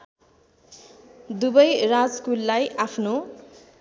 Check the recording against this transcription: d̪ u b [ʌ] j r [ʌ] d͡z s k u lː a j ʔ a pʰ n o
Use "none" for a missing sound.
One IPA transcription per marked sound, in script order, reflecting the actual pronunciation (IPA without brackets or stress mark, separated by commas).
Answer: ʌ, a